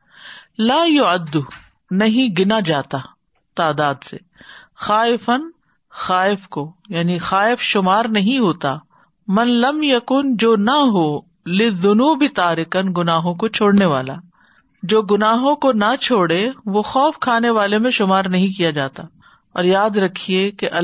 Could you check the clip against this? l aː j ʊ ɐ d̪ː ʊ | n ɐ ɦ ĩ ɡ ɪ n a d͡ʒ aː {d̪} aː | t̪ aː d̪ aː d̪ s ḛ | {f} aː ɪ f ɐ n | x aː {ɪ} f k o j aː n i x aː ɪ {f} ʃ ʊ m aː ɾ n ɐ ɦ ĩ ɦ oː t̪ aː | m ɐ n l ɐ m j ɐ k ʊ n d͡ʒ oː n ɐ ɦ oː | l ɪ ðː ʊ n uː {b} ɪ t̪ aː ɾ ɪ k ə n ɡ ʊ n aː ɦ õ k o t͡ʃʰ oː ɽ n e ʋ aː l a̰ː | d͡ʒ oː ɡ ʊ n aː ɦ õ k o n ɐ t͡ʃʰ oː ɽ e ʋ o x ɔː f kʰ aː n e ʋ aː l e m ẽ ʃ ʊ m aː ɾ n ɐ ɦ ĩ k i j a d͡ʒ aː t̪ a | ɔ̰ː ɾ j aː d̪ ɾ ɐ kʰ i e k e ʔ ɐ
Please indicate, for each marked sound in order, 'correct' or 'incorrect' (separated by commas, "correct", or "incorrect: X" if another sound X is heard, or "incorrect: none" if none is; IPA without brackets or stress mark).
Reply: incorrect: t̪, incorrect: x, correct, correct, correct